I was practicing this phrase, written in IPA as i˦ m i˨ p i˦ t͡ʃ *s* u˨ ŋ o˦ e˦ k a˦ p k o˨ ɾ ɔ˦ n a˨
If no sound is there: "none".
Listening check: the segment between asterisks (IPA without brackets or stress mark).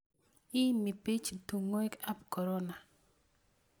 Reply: t